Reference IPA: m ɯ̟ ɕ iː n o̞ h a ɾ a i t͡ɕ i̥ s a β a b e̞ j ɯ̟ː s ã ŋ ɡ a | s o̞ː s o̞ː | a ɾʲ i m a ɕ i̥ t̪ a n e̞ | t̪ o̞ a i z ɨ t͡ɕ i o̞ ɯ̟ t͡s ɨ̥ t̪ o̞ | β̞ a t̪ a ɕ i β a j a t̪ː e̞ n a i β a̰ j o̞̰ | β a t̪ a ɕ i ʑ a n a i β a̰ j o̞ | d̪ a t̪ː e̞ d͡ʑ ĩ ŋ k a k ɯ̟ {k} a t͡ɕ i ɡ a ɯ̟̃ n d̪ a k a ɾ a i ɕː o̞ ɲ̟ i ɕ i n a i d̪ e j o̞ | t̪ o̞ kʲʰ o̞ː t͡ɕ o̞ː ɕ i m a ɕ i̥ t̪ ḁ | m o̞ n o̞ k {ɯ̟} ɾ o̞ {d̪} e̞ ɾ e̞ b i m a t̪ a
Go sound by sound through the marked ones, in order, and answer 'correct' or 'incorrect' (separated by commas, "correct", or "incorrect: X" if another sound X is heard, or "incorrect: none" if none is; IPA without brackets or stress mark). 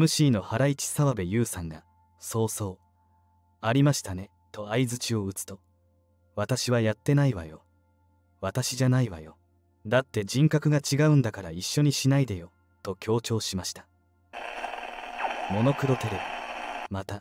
incorrect: ɡ, correct, incorrect: t̪